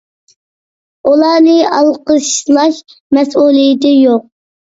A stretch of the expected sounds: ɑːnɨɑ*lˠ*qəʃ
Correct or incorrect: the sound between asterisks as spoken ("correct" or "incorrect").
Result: correct